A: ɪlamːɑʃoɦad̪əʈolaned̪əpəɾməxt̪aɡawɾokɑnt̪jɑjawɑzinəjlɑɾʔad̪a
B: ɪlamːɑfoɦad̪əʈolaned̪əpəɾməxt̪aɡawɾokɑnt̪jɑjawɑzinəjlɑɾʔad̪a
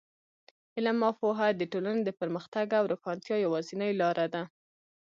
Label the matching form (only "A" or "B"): B